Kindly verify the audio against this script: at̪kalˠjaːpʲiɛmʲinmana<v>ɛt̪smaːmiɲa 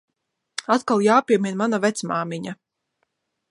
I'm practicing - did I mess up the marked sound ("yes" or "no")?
no